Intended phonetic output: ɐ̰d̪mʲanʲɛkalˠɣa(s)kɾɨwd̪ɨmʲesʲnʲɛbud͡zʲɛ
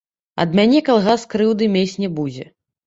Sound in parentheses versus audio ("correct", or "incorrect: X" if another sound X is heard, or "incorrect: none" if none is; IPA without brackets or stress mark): correct